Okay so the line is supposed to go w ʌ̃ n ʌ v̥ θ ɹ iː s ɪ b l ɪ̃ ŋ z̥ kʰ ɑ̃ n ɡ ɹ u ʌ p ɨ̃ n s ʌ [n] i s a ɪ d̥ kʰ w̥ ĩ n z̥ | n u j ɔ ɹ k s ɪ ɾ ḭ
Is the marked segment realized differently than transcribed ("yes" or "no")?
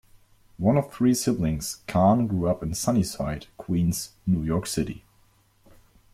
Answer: no